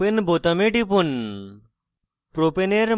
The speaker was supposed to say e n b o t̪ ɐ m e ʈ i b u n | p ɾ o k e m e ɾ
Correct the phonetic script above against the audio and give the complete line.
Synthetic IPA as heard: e n b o t̪ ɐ m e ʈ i p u n | p ɾ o p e n e ɾ